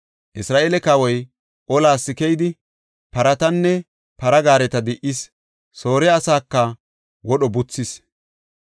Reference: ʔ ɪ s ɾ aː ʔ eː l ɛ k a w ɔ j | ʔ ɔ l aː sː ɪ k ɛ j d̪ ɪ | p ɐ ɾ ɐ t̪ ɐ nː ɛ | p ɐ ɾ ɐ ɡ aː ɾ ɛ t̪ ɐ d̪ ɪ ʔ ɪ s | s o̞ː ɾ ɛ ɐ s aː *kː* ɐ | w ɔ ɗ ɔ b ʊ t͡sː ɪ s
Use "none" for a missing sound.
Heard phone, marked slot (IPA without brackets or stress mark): kː